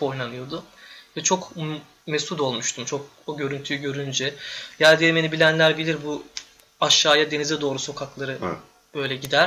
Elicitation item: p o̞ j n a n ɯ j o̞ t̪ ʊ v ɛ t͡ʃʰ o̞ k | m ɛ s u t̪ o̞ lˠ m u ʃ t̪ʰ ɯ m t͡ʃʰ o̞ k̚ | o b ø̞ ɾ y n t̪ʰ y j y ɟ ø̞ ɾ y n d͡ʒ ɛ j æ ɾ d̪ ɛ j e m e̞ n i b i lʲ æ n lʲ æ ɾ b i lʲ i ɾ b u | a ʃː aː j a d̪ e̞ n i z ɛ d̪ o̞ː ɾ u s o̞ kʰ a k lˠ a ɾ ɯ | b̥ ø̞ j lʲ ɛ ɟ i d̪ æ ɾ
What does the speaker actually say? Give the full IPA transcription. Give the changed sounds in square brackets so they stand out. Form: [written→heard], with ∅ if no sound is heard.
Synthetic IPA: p o̞ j n a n ɯ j o̞ [t̪→d̪] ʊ v ɛ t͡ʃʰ o̞ k | m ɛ s u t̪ o̞ lˠ m u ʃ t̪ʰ [ɯ→u] m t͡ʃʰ o̞ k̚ | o [b→ɟ] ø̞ ɾ y n t̪ʰ y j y ɟ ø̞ ɾ y n d͡ʒ ɛ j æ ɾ d̪ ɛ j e m e̞ n i b i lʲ æ n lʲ æ ɾ b i lʲ i ɾ b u | a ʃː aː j a d̪ e̞ n i z ɛ d̪ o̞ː ɾ u s o̞ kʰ a k lˠ a ɾ ɯ | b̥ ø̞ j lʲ ɛ ɟ i d̪ æ ɾ